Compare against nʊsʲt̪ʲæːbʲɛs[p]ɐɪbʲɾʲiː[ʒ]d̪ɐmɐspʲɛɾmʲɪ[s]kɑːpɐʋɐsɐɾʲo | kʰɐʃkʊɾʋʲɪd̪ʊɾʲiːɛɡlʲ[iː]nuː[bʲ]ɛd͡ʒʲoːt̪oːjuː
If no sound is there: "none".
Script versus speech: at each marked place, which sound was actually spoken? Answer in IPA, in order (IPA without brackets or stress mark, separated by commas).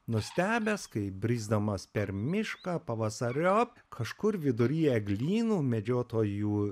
k, z, ʃ, iː, mʲ